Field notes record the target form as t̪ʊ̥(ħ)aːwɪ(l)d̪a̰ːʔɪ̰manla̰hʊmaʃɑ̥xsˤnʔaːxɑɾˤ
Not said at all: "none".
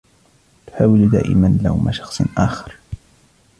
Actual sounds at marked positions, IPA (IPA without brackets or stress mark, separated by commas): ħ, l